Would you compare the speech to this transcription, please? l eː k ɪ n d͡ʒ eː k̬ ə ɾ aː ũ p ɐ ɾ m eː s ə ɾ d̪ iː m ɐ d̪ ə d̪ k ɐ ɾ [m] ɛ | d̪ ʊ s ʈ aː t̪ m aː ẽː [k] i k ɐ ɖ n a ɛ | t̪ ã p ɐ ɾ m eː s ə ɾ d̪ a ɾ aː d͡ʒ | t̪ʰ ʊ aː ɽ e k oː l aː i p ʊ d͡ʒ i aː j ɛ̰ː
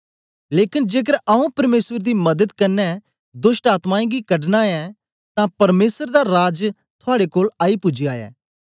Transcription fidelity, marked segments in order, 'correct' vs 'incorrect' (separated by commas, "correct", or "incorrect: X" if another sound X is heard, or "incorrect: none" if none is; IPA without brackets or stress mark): incorrect: n, incorrect: ɡ